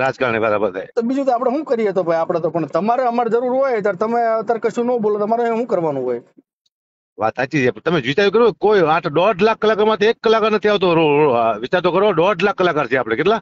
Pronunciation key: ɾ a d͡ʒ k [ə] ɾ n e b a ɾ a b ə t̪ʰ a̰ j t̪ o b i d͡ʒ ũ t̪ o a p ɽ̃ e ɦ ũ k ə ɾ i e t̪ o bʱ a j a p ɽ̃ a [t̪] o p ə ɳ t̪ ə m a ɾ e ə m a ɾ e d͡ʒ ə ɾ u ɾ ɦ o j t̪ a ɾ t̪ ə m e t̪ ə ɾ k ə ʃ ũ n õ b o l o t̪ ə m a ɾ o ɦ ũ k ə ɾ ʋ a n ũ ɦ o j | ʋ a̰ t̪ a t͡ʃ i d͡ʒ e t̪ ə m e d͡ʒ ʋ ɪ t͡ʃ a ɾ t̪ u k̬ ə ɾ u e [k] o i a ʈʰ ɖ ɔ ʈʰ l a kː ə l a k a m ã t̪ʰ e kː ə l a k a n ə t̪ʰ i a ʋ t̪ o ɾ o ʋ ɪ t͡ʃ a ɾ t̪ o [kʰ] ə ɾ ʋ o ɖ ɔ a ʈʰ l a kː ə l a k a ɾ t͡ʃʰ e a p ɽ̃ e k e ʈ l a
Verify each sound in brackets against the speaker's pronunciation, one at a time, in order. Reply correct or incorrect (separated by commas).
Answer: incorrect, correct, correct, incorrect